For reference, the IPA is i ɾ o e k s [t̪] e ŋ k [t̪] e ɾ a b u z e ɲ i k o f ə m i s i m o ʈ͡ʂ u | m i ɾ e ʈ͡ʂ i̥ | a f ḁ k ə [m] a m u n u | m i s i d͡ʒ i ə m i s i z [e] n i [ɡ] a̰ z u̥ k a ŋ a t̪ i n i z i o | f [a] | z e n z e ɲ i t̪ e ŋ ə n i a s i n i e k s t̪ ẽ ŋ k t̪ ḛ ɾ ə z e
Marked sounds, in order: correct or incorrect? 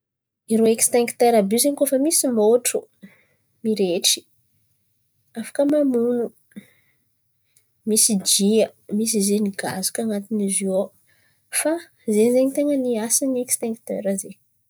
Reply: correct, correct, correct, correct, correct, correct

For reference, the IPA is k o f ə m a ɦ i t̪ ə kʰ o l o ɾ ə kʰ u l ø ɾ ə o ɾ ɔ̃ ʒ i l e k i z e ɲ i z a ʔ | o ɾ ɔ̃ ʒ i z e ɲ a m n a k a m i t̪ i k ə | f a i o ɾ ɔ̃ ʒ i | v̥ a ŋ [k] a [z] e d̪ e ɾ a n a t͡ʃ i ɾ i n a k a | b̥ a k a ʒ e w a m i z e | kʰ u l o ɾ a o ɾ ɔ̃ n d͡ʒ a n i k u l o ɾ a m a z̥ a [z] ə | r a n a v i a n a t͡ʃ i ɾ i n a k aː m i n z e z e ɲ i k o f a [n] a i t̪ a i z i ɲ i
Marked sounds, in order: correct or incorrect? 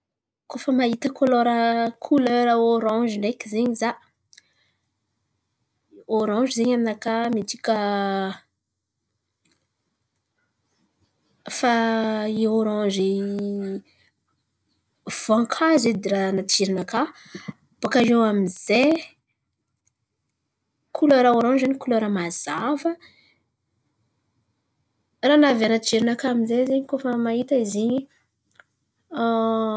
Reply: incorrect: kʰ, correct, incorrect: v, incorrect: m

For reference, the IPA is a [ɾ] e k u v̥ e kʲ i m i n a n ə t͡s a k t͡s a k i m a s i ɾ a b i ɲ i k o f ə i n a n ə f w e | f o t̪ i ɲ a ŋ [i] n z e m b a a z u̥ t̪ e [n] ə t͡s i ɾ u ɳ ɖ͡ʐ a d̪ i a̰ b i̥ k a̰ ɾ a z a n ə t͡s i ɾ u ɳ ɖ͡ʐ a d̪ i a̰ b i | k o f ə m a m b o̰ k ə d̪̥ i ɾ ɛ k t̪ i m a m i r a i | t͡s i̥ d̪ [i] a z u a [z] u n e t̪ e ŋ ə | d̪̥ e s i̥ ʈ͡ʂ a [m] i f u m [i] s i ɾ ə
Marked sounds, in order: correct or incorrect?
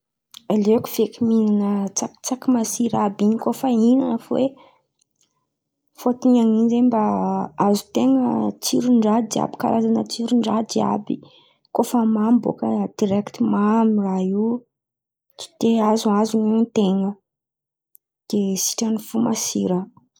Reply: incorrect: l, correct, incorrect: ŋ, incorrect: e, correct, incorrect: n, incorrect: a

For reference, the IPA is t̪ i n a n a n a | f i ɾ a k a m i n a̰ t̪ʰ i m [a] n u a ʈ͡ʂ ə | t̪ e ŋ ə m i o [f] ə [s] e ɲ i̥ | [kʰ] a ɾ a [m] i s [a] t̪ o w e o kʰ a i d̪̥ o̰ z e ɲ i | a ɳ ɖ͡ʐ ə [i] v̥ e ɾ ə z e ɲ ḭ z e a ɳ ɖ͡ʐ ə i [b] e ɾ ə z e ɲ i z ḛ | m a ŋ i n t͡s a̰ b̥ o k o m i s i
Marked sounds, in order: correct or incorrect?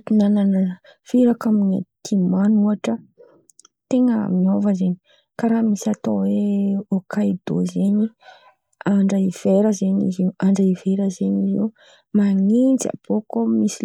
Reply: correct, incorrect: v, incorrect: z, incorrect: k, correct, correct, correct, incorrect: v

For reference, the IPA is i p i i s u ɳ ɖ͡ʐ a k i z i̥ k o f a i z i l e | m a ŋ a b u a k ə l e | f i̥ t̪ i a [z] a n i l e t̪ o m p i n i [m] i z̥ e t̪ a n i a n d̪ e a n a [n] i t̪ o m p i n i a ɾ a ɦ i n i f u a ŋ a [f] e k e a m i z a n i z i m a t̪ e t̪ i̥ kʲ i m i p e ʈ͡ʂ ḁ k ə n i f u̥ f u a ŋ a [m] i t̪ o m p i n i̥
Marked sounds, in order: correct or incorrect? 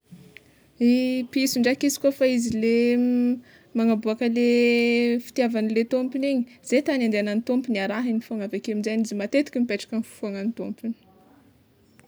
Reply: incorrect: v, incorrect: ɲ, correct, incorrect: v, incorrect: n

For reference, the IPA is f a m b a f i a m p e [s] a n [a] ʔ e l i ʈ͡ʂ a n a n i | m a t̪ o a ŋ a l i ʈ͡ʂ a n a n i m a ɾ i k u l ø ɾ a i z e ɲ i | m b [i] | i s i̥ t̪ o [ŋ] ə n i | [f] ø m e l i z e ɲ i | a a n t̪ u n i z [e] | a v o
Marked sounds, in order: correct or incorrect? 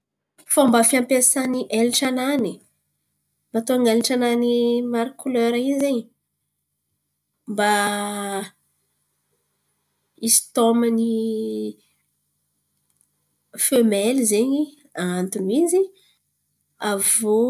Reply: correct, incorrect: i, incorrect: a, incorrect: m, correct, incorrect: i

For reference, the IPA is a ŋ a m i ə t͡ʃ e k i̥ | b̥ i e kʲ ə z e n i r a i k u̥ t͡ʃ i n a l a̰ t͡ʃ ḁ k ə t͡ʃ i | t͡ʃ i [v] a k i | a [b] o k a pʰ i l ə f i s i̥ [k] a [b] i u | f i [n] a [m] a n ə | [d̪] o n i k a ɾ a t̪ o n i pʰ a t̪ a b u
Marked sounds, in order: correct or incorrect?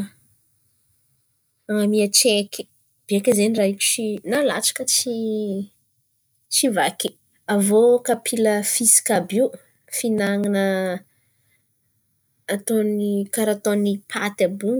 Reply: correct, incorrect: v, correct, correct, correct, incorrect: ŋ, incorrect: t̪

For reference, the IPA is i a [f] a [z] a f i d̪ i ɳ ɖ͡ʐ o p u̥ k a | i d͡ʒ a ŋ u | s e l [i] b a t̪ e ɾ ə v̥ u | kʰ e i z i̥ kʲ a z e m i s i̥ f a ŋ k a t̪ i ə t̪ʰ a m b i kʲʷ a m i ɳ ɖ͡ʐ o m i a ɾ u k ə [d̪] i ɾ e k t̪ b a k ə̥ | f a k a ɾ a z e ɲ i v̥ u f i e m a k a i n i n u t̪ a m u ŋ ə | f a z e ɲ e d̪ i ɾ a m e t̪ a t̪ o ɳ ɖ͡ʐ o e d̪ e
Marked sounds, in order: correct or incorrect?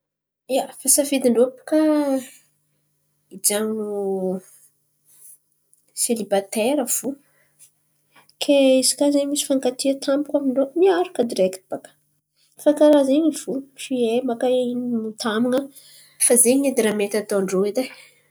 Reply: correct, incorrect: s, correct, correct

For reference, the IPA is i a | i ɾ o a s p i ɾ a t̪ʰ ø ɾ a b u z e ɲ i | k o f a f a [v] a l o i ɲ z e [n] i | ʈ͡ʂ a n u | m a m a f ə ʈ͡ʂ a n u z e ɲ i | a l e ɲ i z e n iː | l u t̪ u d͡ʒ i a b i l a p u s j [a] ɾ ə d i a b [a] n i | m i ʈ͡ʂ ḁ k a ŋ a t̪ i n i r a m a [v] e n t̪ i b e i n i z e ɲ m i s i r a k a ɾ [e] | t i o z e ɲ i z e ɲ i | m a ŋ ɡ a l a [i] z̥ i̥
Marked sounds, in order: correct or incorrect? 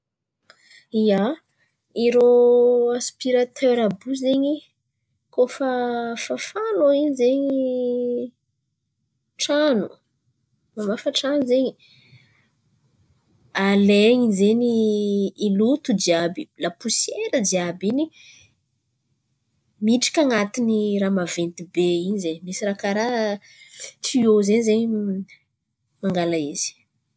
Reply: incorrect: f, incorrect: ɲ, incorrect: e, incorrect: i, correct, incorrect: a, correct

